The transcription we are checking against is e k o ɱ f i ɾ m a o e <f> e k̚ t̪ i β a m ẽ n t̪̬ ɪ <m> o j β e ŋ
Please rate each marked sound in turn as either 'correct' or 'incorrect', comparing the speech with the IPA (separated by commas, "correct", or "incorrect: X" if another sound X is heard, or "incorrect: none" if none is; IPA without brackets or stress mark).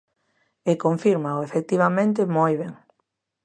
correct, correct